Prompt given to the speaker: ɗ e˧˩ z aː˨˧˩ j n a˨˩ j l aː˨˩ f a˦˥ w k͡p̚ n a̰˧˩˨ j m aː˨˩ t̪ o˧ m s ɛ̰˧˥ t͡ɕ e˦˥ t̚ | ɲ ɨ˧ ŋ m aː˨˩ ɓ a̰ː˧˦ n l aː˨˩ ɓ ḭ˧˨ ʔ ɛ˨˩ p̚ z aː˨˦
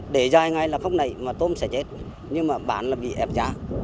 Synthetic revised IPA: ɗ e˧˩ z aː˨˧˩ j ŋ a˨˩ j l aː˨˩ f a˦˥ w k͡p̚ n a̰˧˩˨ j m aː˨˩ t̪ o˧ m s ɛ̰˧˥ t͡ɕ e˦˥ t̚ | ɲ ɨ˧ ŋ m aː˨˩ ɓ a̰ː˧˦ n l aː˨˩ ɓ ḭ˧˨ ʔ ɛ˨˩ p̚ z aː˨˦